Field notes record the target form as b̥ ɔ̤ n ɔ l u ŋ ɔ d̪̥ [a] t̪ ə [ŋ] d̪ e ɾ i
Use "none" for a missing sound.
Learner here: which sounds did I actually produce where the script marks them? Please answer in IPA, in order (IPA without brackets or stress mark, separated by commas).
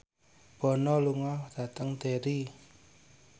a, ŋ